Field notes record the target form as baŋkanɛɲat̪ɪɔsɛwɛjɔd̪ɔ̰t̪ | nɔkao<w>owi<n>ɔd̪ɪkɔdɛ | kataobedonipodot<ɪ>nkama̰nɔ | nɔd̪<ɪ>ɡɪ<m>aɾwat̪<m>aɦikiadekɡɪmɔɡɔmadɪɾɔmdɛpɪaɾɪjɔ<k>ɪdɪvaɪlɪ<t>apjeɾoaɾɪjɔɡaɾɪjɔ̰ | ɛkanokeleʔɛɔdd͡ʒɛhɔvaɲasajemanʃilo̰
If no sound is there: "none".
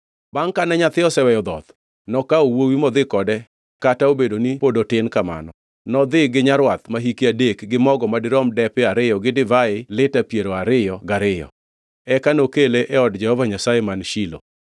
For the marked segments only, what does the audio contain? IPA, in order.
w, m, ɪ, ɪ, ɲ, m, ɡ, t

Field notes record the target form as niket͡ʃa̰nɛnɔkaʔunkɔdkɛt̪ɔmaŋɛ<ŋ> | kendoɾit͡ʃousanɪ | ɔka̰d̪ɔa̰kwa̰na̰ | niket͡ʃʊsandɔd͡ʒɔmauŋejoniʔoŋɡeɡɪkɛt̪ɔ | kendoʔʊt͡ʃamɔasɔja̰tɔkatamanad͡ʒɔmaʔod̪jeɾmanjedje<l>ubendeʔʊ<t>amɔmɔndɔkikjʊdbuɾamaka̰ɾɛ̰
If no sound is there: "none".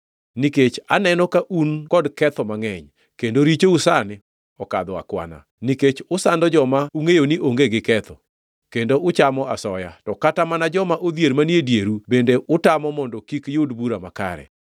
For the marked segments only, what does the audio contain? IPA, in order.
ɲ, ɾ, t

